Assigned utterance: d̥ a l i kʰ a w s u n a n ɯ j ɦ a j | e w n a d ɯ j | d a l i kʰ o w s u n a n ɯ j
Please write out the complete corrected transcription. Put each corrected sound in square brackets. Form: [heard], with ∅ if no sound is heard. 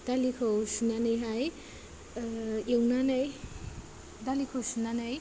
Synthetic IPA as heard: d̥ a l i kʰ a w s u n a n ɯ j ɦ a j | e w n a [n] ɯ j | d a l i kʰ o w s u n a n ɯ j

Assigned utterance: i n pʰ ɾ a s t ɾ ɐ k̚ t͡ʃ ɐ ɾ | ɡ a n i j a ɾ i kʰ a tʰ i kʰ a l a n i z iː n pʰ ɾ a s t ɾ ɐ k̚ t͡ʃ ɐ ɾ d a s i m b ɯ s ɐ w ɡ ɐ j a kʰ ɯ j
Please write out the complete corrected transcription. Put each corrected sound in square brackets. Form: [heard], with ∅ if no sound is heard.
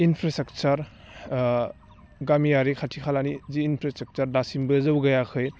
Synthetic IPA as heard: i n pʰ ɾ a s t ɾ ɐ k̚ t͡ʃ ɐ ɾ | ɡ a [m] i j a ɾ i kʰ a tʰ i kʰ a l a n i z iː n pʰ ɾ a s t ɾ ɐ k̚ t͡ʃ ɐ ɾ d a s i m b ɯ [z] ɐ w ɡ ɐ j a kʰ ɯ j

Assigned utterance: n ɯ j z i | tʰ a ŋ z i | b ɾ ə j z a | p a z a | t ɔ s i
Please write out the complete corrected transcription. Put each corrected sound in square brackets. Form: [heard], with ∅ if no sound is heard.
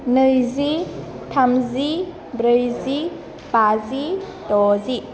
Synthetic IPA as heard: n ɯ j z i | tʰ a [m] z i | b ɾ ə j z [i] | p a z [i] | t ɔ [z] i

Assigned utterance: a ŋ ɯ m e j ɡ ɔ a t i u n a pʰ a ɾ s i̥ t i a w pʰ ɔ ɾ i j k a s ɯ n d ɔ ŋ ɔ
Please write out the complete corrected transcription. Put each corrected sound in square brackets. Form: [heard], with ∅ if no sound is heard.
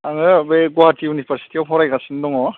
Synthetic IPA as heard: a ŋ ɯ [b] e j ɡ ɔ a t i u n [i] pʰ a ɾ s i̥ t i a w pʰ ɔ ɾ [a] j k a s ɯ n d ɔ ŋ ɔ

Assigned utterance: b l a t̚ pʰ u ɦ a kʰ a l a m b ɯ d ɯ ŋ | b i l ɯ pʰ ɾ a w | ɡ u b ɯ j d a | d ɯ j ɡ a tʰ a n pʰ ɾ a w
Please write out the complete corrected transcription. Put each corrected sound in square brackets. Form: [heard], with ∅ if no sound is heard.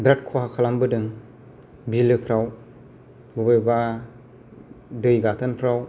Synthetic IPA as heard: b [ɾ] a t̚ [kʰ] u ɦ a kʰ a l a m b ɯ d ɯ ŋ | b i l ɯ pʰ ɾ a w | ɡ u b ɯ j [b] a | d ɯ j ɡ a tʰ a n pʰ ɾ a w

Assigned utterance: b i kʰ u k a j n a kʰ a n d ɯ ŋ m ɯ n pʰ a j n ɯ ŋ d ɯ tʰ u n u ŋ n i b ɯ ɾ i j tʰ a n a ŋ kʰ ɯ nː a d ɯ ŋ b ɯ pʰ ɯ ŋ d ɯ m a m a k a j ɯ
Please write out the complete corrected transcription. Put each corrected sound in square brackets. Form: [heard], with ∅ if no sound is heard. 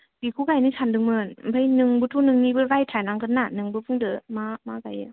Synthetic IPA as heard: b i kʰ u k a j n [i] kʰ a n d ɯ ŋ m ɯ n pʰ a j n ɯ ŋ [b] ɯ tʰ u n [ɯ] ŋ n i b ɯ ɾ [a] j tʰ a n a ŋ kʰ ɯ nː a [n] ɯ ŋ b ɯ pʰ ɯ ŋ d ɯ m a m a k a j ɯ

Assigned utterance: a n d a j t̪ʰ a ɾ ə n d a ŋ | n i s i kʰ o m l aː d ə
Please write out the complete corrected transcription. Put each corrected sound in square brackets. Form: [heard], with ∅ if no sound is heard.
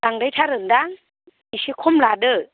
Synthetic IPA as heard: a [ŋ] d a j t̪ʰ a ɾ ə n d a ŋ | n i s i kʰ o m l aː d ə

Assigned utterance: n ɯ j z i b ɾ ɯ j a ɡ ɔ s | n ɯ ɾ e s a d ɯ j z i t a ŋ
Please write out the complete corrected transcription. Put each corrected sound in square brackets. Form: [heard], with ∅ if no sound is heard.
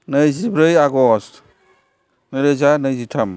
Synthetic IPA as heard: n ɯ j z i b ɾ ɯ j a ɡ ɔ s | n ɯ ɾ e [z] a [n] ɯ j z i [tʰ] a [m]

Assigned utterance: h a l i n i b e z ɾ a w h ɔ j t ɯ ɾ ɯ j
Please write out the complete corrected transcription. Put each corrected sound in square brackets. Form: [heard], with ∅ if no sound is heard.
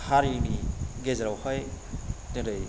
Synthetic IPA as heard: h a [ɾ] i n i [ɡ] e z ɾ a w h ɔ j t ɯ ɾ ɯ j

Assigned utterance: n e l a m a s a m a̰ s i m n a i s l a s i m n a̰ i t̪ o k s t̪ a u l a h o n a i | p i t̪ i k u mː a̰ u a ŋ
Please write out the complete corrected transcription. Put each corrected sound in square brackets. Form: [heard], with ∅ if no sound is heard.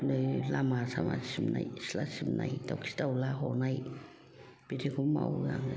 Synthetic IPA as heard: n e l a m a s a m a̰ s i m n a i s l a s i m n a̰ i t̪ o k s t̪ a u l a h o n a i | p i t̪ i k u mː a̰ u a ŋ

